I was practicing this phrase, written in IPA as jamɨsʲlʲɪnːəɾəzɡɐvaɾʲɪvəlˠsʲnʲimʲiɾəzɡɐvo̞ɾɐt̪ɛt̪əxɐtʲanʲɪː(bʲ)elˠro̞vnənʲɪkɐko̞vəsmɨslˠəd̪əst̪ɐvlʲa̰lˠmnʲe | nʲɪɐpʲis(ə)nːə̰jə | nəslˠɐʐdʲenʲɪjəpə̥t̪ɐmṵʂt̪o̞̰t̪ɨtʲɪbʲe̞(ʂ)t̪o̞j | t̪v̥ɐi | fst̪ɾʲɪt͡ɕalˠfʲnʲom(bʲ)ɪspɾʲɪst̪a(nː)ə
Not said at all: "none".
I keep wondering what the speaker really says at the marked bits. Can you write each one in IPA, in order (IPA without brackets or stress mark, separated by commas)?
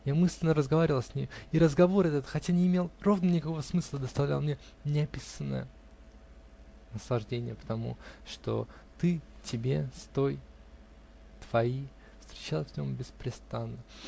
mʲ, ə, s, bʲ, nː